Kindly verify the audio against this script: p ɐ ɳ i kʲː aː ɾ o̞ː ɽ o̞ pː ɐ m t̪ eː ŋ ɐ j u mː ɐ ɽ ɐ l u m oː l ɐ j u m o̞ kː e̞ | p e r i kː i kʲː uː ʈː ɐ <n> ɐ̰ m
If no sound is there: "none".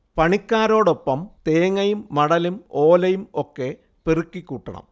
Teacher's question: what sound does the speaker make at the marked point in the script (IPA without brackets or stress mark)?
ɳ